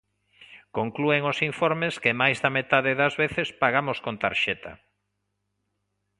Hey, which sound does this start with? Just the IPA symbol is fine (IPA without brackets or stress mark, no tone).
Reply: k